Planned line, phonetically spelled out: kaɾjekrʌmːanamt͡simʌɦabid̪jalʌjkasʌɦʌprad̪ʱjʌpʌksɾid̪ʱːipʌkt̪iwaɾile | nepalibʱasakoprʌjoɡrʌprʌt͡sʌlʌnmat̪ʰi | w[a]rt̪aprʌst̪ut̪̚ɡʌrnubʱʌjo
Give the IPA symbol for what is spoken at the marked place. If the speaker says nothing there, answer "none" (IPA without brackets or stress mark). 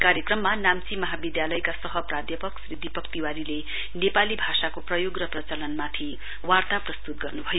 a